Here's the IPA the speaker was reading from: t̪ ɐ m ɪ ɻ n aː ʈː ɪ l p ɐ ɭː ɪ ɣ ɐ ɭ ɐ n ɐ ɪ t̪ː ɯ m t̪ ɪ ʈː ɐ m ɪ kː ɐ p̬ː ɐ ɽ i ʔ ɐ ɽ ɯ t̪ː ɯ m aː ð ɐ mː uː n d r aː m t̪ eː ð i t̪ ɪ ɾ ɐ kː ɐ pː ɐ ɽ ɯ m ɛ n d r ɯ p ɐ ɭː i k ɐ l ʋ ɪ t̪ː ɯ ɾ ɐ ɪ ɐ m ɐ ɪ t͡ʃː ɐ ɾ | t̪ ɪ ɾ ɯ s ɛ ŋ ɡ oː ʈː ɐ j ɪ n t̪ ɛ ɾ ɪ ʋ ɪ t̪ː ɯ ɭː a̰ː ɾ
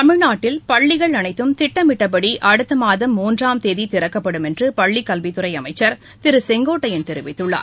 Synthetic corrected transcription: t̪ ɐ m ɪ ɻ n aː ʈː ɪ l p ɐ ɭː ɪ ɣ ɐ ɭ ɐ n ɐ ɪ t̪ː ɯ m t̪ ɪ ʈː ɐ m ɪ ʈː ɐ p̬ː ɐ ɽ i ʔ ɐ ɽ ɯ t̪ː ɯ m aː ð ɐ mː uː n d r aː m t̪ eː ð i t̪ ɪ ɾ ɐ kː ɐ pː ɐ ɽ ɯ m ɛ n d r ɯ p ɐ ɭː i k ɐ l ʋ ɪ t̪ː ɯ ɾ ɐ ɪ ɐ m ɐ ɪ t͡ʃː ɐ ɾ | t̪ ɪ ɾ ɯ s ɛ ŋ ɡ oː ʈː ɐ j ɪ n t̪ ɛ ɾ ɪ ʋ ɪ t̪ː ɯ ɭː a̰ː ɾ